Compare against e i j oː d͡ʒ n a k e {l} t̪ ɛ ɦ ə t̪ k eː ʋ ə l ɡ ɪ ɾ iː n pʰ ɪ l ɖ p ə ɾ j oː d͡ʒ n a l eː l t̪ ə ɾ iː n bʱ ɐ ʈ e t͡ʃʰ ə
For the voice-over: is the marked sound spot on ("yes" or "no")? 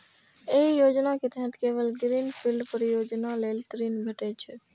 no